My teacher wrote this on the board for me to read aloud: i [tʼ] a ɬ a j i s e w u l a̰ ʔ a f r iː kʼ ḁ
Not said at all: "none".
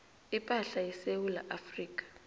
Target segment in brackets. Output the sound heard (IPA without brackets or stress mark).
pʼ